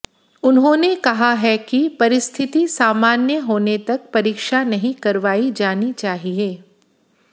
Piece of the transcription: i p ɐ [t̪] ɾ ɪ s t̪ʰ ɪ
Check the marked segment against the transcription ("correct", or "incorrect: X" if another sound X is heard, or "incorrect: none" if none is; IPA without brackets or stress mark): incorrect: none